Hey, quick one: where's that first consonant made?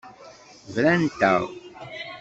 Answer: lips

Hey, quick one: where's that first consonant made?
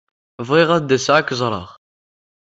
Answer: lips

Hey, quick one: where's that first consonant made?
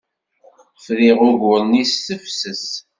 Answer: lips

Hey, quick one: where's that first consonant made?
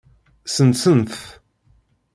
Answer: tongue tip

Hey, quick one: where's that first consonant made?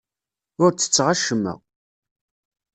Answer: tongue tip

